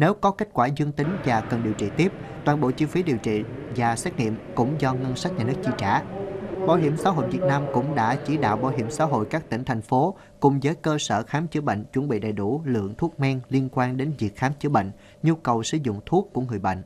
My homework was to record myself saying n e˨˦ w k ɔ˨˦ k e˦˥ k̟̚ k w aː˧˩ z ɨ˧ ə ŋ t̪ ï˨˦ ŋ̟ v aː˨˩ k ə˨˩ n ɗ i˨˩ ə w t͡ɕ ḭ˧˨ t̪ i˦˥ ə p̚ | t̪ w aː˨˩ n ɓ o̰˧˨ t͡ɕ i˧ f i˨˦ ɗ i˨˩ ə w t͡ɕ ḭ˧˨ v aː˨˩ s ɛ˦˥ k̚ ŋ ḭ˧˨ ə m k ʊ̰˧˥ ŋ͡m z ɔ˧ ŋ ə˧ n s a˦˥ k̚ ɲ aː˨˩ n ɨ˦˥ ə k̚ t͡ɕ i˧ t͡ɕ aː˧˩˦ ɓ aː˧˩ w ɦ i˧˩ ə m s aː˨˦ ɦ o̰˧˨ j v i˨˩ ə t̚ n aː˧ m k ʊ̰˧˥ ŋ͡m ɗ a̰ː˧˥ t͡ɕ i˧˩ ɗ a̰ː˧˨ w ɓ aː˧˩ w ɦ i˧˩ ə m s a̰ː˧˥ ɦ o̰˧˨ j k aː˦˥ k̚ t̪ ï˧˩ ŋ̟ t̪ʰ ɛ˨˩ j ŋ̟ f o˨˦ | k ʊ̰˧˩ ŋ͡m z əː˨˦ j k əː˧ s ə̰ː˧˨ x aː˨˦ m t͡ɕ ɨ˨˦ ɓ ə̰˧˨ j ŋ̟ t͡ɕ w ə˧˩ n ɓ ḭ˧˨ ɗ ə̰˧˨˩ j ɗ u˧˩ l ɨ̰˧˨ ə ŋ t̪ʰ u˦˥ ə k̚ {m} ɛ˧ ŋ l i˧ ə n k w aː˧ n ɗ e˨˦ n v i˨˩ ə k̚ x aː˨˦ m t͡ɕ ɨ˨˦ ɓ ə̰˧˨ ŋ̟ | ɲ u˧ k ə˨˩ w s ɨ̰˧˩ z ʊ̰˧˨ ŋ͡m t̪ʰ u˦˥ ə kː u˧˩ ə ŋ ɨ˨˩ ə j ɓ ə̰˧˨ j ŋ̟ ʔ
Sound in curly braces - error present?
no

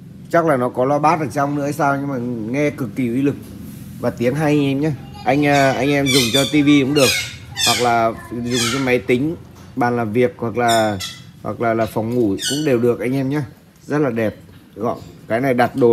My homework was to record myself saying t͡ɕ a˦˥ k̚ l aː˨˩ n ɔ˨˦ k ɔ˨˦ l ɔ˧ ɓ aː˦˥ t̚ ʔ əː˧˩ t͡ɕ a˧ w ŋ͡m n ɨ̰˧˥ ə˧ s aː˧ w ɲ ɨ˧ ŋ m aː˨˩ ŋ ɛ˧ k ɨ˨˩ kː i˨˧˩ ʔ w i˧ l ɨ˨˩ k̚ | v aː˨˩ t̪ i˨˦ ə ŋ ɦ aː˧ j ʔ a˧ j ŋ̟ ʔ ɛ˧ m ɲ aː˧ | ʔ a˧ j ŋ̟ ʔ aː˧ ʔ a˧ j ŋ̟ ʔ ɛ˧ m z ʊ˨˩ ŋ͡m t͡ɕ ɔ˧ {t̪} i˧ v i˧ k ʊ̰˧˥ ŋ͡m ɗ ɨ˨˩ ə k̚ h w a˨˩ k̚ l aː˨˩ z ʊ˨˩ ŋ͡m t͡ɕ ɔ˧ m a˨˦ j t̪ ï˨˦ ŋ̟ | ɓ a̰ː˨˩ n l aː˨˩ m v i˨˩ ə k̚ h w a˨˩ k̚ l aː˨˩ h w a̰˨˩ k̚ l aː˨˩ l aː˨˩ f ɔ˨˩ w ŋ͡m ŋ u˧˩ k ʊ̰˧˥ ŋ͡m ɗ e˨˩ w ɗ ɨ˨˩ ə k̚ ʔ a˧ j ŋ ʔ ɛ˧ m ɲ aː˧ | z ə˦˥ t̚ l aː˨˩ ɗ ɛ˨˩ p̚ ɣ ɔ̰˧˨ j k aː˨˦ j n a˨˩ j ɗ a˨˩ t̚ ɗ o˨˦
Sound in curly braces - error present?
no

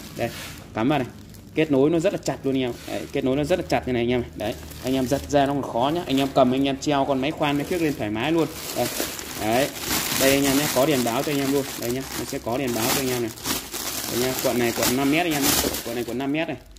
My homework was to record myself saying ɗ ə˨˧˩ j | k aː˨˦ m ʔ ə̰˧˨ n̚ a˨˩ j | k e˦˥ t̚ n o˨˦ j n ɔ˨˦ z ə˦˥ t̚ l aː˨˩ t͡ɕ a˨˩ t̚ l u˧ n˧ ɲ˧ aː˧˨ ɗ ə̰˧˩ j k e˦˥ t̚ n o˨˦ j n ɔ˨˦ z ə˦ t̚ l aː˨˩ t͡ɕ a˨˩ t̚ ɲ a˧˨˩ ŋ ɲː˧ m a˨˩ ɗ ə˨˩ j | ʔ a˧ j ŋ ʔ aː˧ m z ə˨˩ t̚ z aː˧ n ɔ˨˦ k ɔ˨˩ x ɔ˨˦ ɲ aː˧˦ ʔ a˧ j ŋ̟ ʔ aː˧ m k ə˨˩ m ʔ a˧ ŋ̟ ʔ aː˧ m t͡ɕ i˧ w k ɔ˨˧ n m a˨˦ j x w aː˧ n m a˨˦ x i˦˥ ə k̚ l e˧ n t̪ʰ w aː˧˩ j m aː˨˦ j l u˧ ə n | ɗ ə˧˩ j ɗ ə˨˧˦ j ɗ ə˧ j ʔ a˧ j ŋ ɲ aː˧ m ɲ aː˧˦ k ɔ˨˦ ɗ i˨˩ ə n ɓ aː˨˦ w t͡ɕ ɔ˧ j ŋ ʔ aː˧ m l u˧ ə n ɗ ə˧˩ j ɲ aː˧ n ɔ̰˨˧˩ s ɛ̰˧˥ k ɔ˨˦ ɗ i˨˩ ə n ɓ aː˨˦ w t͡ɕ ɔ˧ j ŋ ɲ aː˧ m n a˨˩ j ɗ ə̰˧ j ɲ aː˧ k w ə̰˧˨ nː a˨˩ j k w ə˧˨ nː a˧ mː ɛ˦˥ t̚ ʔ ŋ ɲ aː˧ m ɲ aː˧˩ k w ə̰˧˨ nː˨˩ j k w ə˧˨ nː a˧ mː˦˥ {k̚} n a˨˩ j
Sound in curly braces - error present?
yes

